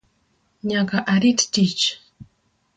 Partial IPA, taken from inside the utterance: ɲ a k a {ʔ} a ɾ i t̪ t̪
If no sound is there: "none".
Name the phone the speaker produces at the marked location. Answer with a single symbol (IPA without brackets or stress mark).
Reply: ʔ